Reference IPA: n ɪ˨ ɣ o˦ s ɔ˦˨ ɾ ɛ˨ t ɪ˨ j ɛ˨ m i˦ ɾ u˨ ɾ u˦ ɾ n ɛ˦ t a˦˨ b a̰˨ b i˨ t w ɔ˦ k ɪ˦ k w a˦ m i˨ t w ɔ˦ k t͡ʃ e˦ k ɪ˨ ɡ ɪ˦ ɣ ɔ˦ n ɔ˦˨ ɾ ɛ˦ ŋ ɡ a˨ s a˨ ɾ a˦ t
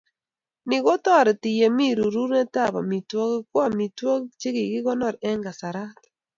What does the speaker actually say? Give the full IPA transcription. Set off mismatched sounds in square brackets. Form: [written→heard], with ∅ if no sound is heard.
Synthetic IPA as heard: n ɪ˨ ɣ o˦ [s→t] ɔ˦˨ ɾ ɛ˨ t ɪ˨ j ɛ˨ m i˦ ɾ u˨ ɾ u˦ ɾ n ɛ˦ t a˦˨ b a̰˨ [b→m] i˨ t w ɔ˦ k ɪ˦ k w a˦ m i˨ t w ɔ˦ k t͡ʃ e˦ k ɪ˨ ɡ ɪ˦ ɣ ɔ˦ n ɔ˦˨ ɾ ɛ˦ ŋ ɡ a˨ s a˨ ɾ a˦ t

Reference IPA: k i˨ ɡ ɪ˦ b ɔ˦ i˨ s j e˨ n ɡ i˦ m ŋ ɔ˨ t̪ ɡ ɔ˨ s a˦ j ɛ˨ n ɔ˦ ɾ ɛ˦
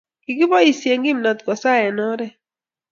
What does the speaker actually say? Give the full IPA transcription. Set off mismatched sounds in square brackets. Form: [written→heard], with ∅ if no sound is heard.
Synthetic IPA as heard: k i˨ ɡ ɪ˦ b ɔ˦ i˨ s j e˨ [n→ŋ] ɡ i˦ m [ŋ→n] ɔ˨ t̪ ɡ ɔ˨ s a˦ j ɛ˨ n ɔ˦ ɾ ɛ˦

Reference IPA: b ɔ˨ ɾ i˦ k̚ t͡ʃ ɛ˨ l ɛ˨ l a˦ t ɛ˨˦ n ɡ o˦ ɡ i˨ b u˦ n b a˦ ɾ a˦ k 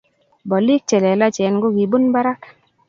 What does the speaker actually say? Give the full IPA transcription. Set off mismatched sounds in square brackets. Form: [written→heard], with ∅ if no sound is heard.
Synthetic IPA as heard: b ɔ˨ [ɾ→l] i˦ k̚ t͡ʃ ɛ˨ l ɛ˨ l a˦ [t→t͡ʃ] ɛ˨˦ n ɡ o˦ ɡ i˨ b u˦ n b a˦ ɾ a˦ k

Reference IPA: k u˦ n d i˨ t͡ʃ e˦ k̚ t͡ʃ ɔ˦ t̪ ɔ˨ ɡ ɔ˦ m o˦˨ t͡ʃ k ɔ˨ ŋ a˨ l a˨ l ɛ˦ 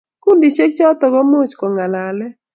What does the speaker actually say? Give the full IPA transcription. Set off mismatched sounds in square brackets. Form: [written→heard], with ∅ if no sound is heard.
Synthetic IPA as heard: k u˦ n d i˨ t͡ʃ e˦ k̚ t͡ʃ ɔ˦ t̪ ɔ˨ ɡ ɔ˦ m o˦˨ t͡ʃ k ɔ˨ ŋ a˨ l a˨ l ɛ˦

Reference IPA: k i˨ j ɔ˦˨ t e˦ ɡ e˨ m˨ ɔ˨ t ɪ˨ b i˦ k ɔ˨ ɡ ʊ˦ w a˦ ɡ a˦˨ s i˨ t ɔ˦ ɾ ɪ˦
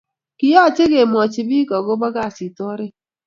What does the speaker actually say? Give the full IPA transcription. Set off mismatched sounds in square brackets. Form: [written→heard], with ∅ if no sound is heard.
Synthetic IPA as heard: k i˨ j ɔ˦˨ [t→t͡ʃ] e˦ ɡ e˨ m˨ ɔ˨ [t→t͡ʃ] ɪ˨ b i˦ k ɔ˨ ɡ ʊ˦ [w→b] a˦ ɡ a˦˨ s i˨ t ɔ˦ ɾ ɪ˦

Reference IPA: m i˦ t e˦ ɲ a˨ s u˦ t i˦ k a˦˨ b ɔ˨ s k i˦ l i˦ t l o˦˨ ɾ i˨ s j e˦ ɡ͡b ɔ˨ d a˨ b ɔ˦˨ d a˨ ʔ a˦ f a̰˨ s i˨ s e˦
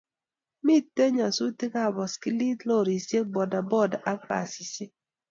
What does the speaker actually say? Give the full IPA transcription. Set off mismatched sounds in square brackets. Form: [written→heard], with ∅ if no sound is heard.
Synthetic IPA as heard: m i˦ t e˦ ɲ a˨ s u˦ t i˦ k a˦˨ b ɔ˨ s k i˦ l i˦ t l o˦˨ ɾ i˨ s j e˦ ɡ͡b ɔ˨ d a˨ b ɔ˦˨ d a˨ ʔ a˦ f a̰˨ s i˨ s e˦

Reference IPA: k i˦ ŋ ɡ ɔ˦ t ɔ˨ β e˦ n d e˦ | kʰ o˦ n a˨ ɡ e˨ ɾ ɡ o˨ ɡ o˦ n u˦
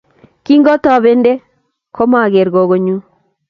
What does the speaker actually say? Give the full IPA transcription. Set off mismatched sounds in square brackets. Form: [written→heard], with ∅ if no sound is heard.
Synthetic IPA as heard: k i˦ ŋ ɡ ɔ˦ t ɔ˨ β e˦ n d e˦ | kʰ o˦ [n→m] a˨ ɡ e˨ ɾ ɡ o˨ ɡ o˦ [n→ɲ] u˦

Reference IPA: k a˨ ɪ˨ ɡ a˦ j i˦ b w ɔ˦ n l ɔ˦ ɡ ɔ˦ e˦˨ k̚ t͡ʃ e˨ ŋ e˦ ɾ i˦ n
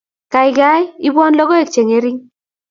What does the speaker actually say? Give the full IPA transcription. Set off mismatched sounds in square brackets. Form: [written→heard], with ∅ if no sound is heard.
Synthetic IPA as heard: k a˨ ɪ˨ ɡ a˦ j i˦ b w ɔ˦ n l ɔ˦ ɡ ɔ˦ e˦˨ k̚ t͡ʃ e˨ ŋ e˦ ɾ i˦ [n→ŋ]

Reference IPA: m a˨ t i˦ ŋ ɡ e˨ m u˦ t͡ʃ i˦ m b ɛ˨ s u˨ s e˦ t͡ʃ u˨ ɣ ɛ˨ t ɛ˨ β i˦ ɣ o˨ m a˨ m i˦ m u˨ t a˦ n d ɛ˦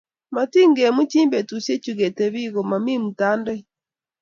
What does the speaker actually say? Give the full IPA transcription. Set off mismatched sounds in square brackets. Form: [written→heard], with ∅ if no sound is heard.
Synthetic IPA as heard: m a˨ t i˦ ŋ ɡ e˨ m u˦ t͡ʃ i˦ m b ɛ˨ [s→t] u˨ s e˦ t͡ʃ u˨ ɣ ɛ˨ t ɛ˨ β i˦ ɣ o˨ m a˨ m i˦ m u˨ t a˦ n d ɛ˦

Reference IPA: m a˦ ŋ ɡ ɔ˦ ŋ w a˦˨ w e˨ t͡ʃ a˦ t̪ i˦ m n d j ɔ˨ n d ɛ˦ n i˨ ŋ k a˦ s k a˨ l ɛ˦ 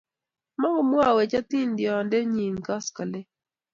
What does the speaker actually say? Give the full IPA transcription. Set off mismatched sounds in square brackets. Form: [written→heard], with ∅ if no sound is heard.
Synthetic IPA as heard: m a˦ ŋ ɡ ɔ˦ [ŋ→m] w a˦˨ w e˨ t͡ʃ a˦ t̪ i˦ [m→∅] n d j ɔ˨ n d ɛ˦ [n→ɲ] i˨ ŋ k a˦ s k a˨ l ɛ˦

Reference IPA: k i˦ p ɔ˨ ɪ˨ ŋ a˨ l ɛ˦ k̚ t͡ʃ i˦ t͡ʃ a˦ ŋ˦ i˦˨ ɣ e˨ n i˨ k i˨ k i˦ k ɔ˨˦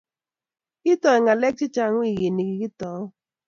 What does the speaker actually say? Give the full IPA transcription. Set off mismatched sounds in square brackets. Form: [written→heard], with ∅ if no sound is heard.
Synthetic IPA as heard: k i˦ [p→t] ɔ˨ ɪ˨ ŋ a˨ l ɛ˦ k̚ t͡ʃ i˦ t͡ʃ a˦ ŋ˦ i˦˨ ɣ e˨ n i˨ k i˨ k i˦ [k→t] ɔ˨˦

